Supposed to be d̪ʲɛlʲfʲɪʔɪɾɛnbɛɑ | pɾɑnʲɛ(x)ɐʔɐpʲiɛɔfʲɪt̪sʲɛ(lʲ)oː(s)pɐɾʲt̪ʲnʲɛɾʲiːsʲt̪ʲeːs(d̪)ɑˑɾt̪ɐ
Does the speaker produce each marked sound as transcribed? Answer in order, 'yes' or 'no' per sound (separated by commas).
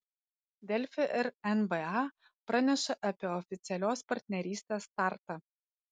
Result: no, yes, yes, no